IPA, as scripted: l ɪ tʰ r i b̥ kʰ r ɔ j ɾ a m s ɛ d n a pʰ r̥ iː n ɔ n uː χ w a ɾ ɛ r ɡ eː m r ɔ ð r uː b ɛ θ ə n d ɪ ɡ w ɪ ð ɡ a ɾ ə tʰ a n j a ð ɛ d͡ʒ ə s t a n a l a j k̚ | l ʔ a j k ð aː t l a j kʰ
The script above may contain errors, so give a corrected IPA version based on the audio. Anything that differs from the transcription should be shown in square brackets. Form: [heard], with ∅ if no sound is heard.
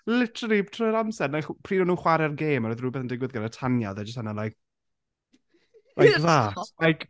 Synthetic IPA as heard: l ɪ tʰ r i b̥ [tʰ] r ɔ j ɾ a m s ɛ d n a pʰ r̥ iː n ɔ n uː χ w a ɾ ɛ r ɡ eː m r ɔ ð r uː b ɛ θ ə n d ɪ ɡ w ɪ ð ɡ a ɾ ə tʰ a n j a ð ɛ d͡ʒ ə s t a n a l a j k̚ | l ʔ a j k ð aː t l a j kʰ